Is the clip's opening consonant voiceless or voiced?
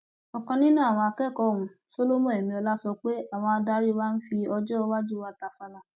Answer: voiceless